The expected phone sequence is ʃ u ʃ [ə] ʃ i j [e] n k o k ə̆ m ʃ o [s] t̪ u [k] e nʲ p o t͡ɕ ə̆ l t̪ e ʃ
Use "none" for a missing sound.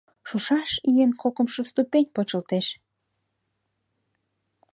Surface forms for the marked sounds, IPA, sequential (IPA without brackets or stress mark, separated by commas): ɑ, e, s, p